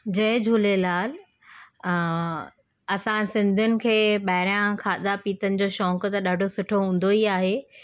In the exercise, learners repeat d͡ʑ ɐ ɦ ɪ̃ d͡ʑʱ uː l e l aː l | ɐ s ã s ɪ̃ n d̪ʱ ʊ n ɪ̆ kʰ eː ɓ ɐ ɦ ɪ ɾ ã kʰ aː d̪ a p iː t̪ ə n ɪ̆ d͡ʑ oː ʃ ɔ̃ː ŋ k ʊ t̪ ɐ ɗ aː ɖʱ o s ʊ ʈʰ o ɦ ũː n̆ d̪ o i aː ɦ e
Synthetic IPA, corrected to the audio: d͡ʑ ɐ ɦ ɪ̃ d͡ʑʱ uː l e l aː l | ɐ s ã s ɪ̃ n d̪ʱ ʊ n ɪ̆ kʰ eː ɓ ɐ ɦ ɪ ɾ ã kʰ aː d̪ a p iː t̪ ə n ɪ̆ d͡ʑ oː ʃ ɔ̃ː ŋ k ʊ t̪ ɐ ɗ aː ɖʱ o s ʊ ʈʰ o ɦ ũː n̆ d̪ o i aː ɦ e